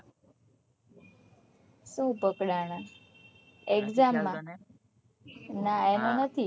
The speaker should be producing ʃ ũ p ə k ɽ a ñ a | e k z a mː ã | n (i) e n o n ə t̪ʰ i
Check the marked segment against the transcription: incorrect: a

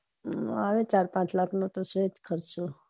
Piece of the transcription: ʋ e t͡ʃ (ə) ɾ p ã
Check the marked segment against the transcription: incorrect: a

